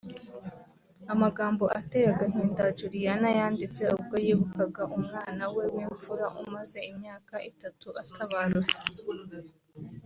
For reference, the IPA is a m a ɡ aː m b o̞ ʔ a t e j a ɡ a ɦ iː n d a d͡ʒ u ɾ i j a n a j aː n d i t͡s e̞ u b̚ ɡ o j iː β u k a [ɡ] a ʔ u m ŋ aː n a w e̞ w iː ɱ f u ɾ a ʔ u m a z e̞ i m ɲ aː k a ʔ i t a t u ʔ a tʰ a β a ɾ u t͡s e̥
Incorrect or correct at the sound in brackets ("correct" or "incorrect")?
correct